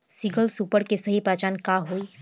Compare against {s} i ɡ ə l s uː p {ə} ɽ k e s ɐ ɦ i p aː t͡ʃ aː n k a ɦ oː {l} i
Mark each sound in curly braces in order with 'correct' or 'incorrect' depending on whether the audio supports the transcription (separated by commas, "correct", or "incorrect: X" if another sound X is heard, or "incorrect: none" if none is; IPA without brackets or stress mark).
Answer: correct, correct, incorrect: none